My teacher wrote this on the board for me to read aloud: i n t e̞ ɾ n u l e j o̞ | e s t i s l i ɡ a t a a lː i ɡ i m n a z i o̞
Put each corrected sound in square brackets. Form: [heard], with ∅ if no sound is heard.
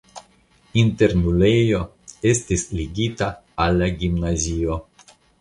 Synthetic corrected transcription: i n t e̞ ɾ n u l e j o̞ | e s t i s l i ɡ [i] t a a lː [a] ɡ i m n a z i o̞